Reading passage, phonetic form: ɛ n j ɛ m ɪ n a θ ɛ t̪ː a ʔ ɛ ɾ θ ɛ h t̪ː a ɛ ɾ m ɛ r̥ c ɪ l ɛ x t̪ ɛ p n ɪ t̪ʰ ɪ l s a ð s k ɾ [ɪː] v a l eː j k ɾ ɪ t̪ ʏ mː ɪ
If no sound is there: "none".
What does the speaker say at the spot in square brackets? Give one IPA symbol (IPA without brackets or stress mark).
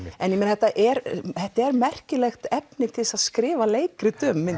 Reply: ɪː